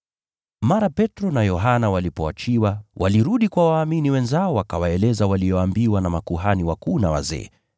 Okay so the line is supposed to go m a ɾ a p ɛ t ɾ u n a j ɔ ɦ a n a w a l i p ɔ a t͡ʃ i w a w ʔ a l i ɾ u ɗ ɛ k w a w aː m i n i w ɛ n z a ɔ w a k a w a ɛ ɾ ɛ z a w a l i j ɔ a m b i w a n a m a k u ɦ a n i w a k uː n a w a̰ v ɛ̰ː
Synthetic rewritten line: m a ɾ a p ɛ t ɾ ɔ n a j ɔ ɦ a n a w a l i p ɔ a t͡ʃ i w a w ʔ a l i ɾ u ɗ i k w a w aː m i n i w ɛ n z a ɔ w a k a w a ɛ l ɛ z a w a l i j ɔ a m b i w a n a m a k u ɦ a n i w a k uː n a w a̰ z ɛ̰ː